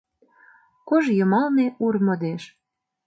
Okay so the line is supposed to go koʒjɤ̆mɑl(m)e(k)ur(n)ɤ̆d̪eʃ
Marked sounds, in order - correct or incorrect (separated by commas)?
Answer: incorrect, incorrect, incorrect